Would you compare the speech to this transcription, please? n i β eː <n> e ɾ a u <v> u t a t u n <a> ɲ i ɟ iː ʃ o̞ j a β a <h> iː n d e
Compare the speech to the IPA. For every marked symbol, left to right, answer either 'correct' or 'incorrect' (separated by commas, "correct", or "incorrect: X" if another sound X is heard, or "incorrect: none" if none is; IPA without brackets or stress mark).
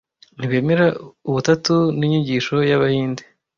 incorrect: m, incorrect: β, incorrect: i, correct